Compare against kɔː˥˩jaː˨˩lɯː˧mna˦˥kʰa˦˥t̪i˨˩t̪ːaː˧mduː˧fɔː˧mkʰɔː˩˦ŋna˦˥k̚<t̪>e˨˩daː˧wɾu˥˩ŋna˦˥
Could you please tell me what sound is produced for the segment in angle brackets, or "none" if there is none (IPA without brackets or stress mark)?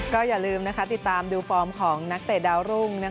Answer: t̪